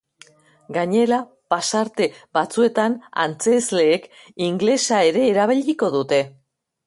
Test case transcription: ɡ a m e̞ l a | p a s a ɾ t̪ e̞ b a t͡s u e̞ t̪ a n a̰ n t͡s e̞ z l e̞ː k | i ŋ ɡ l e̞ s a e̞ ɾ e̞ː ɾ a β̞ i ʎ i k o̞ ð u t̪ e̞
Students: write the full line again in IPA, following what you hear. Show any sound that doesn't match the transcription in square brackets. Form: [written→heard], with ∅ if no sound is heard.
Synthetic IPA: ɡ a [m→ɲ] e̞ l a | p a s a ɾ t̪ e̞ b a t͡s u e̞ t̪ a n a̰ n t͡s e̞ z l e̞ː k | i ŋ ɡ l e̞ s a e̞ ɾ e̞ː ɾ a β̞ i ʎ i k o̞ ð u t̪ e̞

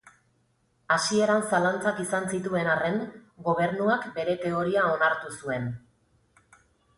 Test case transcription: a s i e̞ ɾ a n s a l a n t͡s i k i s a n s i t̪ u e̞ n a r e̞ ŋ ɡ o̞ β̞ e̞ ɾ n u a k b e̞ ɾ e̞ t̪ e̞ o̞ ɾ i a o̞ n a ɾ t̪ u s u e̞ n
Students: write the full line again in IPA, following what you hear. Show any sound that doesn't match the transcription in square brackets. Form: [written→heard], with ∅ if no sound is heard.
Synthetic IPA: a s i e̞ ɾ a n s a l a n t͡s [i→a] k i s a n s i t̪ u e̞ n a r e̞ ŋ ɡ o̞ β̞ e̞ ɾ n u a k b e̞ ɾ e̞ t̪ e̞ o̞ ɾ i a o̞ n a ɾ t̪ u s u e̞ n

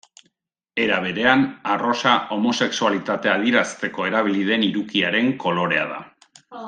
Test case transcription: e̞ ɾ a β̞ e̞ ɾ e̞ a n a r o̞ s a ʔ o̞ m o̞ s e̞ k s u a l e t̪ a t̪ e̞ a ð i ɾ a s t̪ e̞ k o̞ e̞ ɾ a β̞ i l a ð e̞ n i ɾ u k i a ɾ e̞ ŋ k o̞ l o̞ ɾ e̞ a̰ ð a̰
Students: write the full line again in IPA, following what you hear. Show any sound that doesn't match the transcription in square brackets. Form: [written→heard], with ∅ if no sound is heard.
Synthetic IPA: e̞ ɾ a β̞ e̞ ɾ e̞ a n a r o̞ s a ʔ o̞ m o̞ s e̞ k s u a l [e→i] t̪ a t̪ e̞ a ð i ɾ a s t̪ e̞ k o̞ e̞ ɾ a β̞ i l [a→i] ð e̞ n i ɾ u k i a ɾ e̞ ŋ k o̞ l o̞ ɾ e̞ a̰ ð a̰

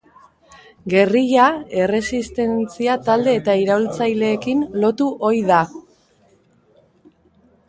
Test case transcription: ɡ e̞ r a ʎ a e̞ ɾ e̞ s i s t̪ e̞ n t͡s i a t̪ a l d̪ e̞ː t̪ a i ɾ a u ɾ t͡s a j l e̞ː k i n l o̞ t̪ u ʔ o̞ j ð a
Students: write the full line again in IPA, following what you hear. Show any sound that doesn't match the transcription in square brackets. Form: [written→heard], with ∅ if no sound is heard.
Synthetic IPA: ɡ e̞ r [a→i] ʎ a e̞ [ɾ→r] e̞ s i s t̪ e̞ n t͡s i a t̪ a l d̪ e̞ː t̪ a i ɾ a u [ɾ→l] t͡s a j l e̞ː k i n l o̞ t̪ u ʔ o̞ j ð a

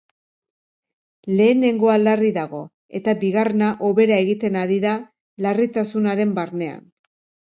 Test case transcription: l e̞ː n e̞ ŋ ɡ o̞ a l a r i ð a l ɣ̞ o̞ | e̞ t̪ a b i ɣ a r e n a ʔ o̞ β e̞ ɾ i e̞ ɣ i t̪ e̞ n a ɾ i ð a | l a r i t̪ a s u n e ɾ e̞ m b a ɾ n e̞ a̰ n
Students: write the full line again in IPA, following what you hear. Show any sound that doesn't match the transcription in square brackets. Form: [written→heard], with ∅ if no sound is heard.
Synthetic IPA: l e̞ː n e̞ ŋ ɡ o̞ a l a r i ð a [l→∅] ɣ̞ o̞ | e̞ t̪ a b i ɣ a r e n a ʔ o̞ β e̞ ɾ [i→a] e̞ ɣ i t̪ e̞ n a ɾ i ð a | l a r i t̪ a s u n [e→a] ɾ e̞ m b a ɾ n e̞ a̰ n

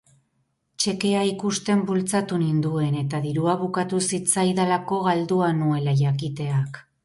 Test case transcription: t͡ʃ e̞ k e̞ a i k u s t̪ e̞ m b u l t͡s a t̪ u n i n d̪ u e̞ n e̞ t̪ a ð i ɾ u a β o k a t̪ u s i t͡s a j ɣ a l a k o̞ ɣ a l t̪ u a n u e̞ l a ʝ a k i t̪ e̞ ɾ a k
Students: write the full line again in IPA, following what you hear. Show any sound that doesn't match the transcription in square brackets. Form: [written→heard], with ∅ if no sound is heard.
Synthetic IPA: t͡ʃ e̞ k e̞ a i k u s t̪ e̞ m b u l t͡s a t̪ u n i n d̪ u e̞ n e̞ t̪ a ð i ɾ u a β [o→u] k a t̪ u s i t͡s a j [ɣ→ð] a l a k o̞ ɣ a l [t̪→d̪] u a n u e̞ l a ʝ a k i t̪ e̞ [ɾ→∅] a k

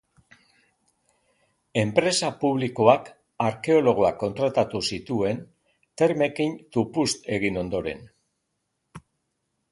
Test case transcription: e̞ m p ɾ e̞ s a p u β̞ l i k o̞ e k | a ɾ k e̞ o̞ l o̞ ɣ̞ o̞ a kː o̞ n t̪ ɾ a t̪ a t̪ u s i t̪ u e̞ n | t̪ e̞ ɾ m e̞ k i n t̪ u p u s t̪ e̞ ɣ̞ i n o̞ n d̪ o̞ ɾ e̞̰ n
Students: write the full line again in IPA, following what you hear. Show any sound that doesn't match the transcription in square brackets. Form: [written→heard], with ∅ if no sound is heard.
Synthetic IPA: e̞ m p ɾ e̞ s a p u β̞ l i k o̞ [e→a] k | a ɾ k e̞ o̞ l o̞ ɣ̞ o̞ a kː o̞ n t̪ ɾ a t̪ a t̪ u s i t̪ u e̞ n | t̪ e̞ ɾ m e̞ k i n t̪ u p u s t̪ e̞ ɣ̞ i n o̞ n d̪ o̞ ɾ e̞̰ n

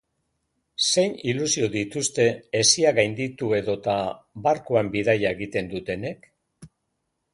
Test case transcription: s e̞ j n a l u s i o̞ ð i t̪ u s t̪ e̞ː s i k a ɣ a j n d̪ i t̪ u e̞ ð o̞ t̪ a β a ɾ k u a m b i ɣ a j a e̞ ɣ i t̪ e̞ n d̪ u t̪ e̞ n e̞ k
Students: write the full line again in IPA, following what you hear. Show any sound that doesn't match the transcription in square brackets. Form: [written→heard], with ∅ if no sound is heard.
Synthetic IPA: s e̞ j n [a→i] l u s i o̞ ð i t̪ u s t̪ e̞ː s i [k→∅] a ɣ a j n d̪ i t̪ u e̞ ð o̞ t̪ a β a ɾ k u a m b i [ɣ→ð] a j a e̞ ɣ i t̪ e̞ n d̪ u t̪ e̞ n e̞ k

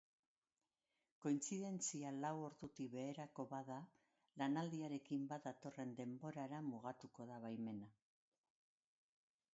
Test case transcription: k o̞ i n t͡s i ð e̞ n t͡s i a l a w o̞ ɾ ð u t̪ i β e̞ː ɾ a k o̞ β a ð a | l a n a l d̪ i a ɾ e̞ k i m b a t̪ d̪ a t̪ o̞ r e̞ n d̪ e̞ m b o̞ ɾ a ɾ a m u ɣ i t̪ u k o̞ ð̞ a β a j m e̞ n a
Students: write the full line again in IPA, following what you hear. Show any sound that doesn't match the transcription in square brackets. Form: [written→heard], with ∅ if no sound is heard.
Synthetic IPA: k o̞ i n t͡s i ð e̞ n t͡s i a l a w o̞ ɾ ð u t̪ i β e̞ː ɾ a k o̞ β a ð a | l a n a l d̪ i a ɾ e̞ k i m b a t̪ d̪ a t̪ o̞ r e̞ n d̪ e̞ m b o̞ ɾ a ɾ a m u ɣ [i→a] t̪ u k o̞ ð̞ a β a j m e̞ n a

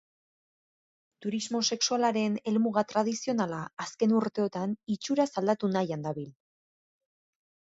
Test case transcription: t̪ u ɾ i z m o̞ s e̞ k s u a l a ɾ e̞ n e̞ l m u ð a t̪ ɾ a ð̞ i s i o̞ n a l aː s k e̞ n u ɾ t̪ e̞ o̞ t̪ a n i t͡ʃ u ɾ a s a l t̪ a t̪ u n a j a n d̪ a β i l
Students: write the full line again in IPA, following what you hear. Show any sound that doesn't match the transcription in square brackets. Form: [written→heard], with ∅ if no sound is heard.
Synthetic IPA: t̪ u ɾ i z m o̞ s e̞ k s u a l a ɾ e̞ n e̞ l m u [ð→ɣ] a t̪ ɾ a ð̞ i s i o̞ n a l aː s k e̞ n u ɾ t̪ e̞ o̞ t̪ a n i t͡ʃ u ɾ a s a l [t̪→d̪] a t̪ u n a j a n d̪ a β i l

